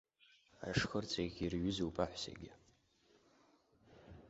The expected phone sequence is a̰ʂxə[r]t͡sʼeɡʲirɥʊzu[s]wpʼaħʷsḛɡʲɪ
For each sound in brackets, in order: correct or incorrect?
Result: correct, incorrect: none

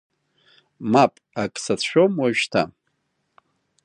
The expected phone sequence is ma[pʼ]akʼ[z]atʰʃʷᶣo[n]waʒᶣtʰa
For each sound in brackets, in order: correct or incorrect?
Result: correct, incorrect: s, incorrect: m

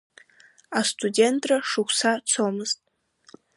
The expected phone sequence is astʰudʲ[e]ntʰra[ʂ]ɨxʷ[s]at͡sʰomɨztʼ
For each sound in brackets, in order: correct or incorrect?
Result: correct, correct, correct

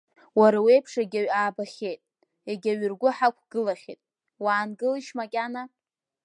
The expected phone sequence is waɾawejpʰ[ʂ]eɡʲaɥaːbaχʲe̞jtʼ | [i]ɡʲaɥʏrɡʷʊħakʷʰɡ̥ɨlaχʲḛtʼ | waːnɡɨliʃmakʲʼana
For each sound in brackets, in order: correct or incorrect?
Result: correct, incorrect: e

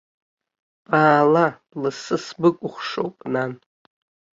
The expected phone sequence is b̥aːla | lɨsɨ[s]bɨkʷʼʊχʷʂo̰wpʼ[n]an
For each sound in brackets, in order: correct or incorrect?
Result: correct, correct

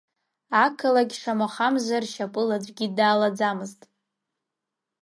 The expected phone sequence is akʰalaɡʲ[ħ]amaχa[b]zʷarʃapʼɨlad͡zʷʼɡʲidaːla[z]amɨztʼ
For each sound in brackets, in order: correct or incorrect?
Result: incorrect: ʂ, incorrect: m, incorrect: d͡z

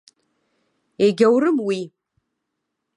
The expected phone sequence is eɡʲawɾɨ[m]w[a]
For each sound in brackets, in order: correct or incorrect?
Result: correct, incorrect: i

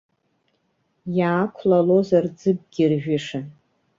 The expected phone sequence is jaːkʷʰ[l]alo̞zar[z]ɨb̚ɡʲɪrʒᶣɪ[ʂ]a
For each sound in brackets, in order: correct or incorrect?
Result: correct, incorrect: d͡z, correct

